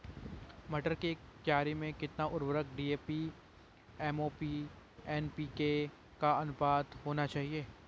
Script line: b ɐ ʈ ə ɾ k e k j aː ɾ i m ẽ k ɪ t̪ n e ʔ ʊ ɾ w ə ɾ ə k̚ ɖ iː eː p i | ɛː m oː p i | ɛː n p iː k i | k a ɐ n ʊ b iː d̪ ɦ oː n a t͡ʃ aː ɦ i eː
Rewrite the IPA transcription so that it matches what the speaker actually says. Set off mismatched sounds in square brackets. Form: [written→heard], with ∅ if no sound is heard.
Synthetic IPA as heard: [b→m] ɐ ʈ ə ɾ k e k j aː ɾ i m ẽ k ɪ t̪ n [e→a] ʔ ʊ ɾ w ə ɾ ə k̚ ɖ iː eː p i | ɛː m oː p i | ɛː n p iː k [i→e] | k a ɐ n ʊ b [iː→aː] d̪ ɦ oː n a t͡ʃ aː ɦ i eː